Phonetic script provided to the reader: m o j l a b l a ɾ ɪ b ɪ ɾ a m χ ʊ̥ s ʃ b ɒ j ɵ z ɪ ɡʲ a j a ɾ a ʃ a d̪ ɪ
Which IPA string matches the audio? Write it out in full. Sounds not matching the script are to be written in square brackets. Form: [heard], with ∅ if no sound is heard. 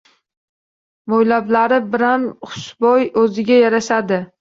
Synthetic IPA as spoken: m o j l a b l a ɾ ɪ b ɪ ɾ a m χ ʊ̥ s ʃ b ɒ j ɵ z ɪ ɡʲ a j a ɾ a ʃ a d̪ ɪ